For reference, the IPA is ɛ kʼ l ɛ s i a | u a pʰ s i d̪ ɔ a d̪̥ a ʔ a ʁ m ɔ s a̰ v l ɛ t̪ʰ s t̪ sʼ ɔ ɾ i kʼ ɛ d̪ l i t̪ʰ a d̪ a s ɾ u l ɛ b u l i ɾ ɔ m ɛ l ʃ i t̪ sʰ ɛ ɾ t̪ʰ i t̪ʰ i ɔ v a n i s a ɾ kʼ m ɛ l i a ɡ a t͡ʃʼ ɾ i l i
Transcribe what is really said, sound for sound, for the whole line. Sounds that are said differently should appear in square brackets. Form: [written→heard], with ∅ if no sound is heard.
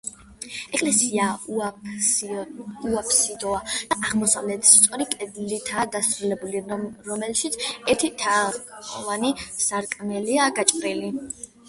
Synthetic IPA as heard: ɛ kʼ l ɛ s i a | u a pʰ s i d̪ ɔ a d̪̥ a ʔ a ʁ m ɔ s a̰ v l ɛ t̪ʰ s t̪ sʼ ɔ ɾ i kʼ ɛ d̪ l i t̪ʰ a d̪ a s ɾ u l ɛ b u l i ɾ ɔ m ɛ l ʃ i t̪ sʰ ɛ ɾ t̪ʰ i t̪ʰ [i→a] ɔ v a n i s a ɾ kʼ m ɛ l i a ɡ a t͡ʃʼ ɾ i l i